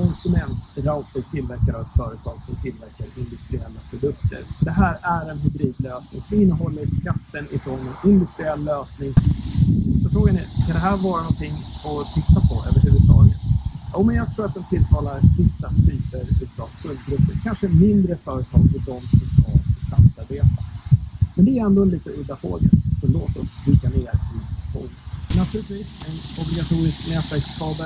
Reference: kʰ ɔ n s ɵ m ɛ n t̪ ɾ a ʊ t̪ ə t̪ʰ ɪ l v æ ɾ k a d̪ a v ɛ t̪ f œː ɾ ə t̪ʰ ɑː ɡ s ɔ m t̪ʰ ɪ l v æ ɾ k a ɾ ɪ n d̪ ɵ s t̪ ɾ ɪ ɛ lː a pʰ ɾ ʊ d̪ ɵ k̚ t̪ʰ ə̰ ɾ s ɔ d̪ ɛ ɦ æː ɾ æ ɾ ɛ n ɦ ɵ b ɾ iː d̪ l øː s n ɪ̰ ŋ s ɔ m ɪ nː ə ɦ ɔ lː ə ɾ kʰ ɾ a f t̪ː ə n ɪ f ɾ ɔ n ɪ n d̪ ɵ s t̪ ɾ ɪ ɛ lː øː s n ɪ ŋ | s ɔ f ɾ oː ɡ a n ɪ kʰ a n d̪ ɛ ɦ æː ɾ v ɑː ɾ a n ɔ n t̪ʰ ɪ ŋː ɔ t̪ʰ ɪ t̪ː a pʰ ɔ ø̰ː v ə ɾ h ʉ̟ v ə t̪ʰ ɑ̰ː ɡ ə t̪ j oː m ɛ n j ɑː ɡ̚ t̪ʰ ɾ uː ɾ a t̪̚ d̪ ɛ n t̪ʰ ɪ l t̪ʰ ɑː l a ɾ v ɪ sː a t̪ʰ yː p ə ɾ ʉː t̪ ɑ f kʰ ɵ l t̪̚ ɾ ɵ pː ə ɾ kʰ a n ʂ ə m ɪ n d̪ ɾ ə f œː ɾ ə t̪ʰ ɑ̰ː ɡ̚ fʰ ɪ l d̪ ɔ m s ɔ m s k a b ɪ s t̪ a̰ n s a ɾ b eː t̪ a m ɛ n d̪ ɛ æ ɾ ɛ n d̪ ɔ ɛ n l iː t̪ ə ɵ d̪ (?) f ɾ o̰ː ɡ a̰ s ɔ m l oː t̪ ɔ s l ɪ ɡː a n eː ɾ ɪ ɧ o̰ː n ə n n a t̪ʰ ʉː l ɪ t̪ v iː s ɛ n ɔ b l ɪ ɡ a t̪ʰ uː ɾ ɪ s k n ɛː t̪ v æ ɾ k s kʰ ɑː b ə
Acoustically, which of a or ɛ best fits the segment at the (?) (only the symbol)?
a